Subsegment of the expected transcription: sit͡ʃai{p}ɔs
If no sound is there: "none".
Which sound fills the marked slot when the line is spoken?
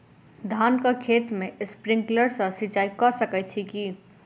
k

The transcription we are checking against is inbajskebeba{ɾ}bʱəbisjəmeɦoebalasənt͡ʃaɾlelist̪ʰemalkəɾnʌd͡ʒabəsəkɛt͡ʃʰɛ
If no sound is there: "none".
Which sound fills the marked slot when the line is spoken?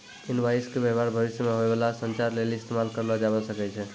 ɾ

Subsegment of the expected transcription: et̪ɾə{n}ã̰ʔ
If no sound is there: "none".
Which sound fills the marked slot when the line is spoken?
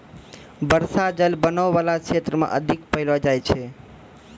m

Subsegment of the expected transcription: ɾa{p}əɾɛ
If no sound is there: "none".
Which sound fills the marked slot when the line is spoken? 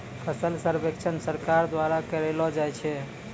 k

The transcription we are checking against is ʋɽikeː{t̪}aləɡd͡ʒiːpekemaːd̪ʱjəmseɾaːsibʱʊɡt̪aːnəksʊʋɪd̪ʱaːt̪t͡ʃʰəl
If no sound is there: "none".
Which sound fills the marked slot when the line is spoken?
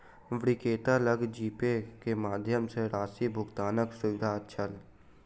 t̪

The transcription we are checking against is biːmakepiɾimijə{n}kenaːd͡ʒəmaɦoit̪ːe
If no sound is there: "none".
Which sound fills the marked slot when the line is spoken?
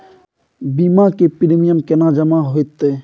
m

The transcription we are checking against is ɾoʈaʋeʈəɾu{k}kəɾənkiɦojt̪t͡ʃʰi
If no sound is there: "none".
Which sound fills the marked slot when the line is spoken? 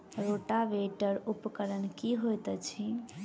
p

